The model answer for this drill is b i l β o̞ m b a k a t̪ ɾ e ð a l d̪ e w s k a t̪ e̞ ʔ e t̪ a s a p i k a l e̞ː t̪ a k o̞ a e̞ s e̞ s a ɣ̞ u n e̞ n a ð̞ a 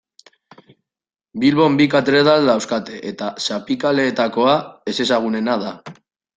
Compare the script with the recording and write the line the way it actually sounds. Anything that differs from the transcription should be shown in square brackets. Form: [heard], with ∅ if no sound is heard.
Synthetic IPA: b i l β o̞ m b [i] k a t̪ ɾ e ð a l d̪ [a] w s k a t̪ e̞ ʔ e t̪ a s a p i k a l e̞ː t̪ a k o̞ a e̞ s e̞ s a ɣ̞ u n e̞ n a ð̞ a